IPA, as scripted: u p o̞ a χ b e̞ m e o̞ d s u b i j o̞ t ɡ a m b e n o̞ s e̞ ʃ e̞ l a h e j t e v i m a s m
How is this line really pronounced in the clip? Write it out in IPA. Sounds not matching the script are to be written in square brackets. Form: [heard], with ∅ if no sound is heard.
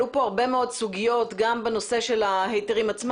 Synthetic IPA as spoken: u p o̞ a [ʁ] b e̞ m e o̞ d s u [ɡ] i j o̞ t ɡ a m b e n o̞ s e̞ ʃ e̞ l a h e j t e [ʁ] i m a [t͡s] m